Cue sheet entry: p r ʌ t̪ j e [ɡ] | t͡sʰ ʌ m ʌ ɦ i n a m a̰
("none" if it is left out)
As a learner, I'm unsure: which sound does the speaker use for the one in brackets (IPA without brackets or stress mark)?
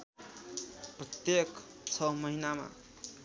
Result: k